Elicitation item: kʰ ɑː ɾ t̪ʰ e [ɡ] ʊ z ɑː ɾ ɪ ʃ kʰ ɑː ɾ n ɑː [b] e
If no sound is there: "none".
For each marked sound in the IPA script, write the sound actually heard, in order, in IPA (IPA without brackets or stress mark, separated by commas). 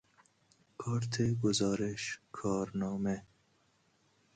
ɡ, m